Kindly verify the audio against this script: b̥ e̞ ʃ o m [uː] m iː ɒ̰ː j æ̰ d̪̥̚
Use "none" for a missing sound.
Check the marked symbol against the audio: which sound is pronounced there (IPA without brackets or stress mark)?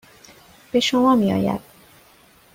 ɒː